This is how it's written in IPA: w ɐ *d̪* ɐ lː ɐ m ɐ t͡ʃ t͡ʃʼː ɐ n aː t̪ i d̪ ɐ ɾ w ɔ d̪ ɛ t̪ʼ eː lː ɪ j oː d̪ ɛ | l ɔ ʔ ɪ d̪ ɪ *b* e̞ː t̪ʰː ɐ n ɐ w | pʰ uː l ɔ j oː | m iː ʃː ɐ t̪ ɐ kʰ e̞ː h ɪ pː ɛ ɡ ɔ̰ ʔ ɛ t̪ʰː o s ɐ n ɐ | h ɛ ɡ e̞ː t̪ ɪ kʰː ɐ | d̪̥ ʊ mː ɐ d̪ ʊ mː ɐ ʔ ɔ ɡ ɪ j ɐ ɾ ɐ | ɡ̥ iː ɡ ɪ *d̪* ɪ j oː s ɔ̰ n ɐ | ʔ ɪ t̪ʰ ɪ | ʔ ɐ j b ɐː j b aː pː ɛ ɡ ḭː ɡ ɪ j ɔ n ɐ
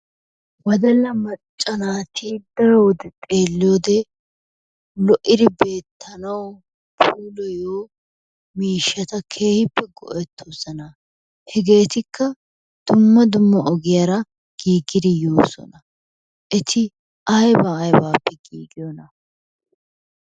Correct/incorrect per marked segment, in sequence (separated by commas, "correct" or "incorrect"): correct, correct, correct